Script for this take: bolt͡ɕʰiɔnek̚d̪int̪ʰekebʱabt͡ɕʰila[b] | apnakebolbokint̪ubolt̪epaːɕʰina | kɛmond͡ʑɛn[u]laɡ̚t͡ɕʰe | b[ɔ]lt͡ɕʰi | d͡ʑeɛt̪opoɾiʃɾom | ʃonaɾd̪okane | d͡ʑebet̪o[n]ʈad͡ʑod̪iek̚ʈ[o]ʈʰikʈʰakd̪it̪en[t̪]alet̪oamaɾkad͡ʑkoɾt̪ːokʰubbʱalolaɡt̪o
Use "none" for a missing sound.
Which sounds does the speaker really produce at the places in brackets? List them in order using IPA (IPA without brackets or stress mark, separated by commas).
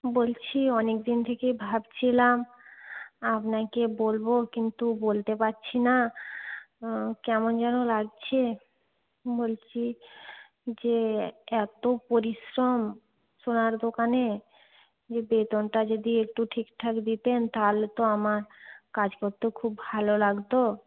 m, o, o, n, u, t̪